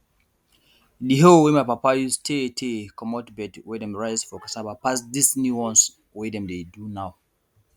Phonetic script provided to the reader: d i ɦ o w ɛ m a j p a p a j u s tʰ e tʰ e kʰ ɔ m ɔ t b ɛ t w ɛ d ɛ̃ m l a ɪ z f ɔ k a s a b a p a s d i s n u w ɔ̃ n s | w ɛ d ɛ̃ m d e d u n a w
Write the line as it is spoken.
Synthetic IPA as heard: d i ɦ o w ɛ m a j p a p a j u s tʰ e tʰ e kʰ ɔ m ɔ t b ɛ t w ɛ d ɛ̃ m ɹ a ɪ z f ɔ k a s a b a p a s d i s n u w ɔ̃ n s | w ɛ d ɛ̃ m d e d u n a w